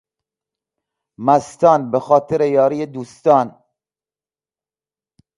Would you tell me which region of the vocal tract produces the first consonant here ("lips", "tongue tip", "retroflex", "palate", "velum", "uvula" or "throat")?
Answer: lips